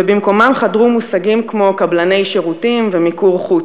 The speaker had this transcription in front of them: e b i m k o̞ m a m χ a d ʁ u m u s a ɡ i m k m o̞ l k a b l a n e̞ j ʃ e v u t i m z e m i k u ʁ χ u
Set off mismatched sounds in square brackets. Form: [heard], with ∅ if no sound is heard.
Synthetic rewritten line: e b i m k o̞ m a m χ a d ʁ u m u s a ɡ i m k m o̞ [∅] k a b l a n e̞ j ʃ e [ʁ] u t i m [v] e m i k u ʁ χ u